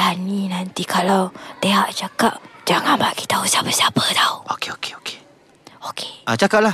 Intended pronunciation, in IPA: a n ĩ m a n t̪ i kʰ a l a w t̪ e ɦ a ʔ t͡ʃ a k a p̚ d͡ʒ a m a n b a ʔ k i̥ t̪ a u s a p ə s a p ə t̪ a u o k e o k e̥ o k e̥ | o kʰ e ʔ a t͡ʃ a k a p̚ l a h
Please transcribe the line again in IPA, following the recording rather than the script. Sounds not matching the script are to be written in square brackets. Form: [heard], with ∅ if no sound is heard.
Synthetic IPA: a n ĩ [n] a n t̪ i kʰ a l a w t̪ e ɦ a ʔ t͡ʃ a k a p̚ d͡ʒ a [ŋ] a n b a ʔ k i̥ t̪ a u s a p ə s a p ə t̪ a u o k e o k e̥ o k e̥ | o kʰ e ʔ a t͡ʃ a k a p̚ l a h